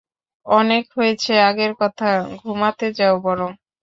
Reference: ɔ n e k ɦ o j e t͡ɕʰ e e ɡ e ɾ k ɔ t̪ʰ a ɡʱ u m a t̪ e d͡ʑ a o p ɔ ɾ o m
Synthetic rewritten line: ɔ n e k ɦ o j e t͡ɕʰ e a ɡ e ɾ k ɔ t̪ʰ a ɡʱ u m a t̪ e d͡ʑ a o b ɔ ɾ o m